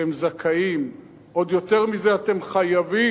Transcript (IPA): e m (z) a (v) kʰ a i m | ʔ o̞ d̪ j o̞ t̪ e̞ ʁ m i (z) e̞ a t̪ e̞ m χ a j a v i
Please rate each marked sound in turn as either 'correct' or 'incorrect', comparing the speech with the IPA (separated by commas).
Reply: correct, incorrect, correct